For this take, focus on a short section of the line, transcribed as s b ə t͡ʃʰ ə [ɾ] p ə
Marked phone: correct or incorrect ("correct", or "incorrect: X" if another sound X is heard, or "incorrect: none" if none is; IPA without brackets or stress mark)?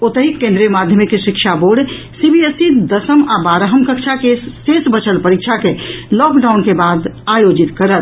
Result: incorrect: l